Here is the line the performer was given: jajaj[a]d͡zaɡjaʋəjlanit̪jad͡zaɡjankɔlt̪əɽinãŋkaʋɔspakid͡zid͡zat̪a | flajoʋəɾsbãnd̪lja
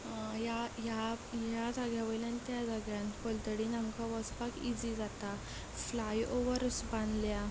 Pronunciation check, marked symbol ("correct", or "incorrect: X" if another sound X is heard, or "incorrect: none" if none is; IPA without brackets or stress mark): correct